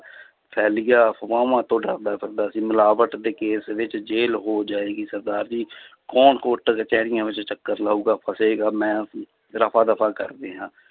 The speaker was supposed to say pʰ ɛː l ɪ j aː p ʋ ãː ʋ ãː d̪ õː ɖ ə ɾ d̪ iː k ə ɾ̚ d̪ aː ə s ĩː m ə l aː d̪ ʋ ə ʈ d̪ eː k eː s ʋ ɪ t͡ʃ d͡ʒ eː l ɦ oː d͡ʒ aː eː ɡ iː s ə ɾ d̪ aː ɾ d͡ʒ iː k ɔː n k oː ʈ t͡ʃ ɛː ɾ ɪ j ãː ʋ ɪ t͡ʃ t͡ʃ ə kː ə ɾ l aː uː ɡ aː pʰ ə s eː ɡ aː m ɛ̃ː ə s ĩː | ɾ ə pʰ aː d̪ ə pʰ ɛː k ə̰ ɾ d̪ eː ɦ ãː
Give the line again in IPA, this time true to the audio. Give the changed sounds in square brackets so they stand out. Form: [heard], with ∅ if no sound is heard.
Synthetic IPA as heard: pʰ ɛː l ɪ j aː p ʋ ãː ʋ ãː [t̪] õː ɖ ə ɾ d̪ [aː] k ə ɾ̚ d̪ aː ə s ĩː m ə l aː [∅] ʋ ə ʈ d̪ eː k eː s ʋ ɪ t͡ʃ d͡ʒ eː l ɦ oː d͡ʒ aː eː ɡ iː s ə ɾ d̪ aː ɾ d͡ʒ iː k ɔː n k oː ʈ t͡ʃ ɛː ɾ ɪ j ãː ʋ ɪ t͡ʃ t͡ʃ ə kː ə ɾ l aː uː ɡ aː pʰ ə s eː ɡ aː m ɛ̃ː ə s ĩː | ɾ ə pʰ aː d̪ ə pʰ [aː] k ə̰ ɾ d̪ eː ɦ ãː